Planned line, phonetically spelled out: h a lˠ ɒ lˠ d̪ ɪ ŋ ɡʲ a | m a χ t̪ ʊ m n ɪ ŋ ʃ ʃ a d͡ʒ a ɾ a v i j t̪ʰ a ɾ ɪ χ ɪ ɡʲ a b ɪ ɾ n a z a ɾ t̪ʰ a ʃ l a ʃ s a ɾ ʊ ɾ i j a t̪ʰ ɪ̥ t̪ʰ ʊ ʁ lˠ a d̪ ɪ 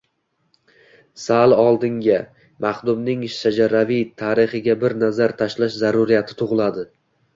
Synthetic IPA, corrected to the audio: s a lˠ ɒ lˠ d̪ ɪ ŋ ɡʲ a | m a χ d̪ ʊ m n ɪ ŋ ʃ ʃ a d͡ʒ a ɾ a v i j t̪ʰ a ɾ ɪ χ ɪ ɡʲ a b ɪ ɾ n a z a ɾ t̪ʰ a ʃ l a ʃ z a ɾ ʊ ɾ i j a t̪ʰ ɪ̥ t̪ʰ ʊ ʁ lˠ a d̪ ɪ